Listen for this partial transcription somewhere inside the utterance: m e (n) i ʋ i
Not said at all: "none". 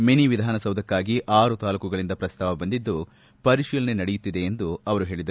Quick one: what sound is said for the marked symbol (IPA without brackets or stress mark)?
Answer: n